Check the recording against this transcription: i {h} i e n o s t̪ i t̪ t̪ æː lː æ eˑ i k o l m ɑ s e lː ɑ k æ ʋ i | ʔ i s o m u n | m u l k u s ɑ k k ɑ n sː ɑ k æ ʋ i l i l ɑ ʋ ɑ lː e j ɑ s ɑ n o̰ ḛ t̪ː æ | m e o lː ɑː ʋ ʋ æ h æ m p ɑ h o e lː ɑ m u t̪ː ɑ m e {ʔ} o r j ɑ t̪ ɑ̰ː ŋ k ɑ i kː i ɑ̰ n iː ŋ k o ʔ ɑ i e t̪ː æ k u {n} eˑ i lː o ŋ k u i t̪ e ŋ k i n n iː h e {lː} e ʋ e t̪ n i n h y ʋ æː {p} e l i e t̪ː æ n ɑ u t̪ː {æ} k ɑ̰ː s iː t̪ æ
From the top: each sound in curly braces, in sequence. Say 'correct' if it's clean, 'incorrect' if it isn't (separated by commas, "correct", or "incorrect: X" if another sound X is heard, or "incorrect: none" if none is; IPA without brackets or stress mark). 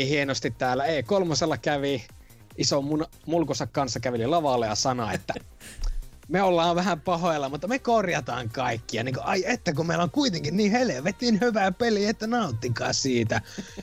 correct, incorrect: k, incorrect: m, incorrect: l, correct, incorrect: i